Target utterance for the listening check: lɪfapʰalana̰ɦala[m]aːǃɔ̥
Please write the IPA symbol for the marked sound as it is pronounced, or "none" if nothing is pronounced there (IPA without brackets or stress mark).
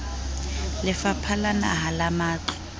m